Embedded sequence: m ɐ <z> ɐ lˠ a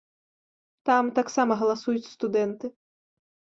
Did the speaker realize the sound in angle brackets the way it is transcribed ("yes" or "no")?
no